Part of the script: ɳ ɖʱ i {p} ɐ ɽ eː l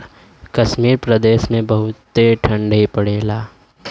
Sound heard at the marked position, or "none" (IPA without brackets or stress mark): p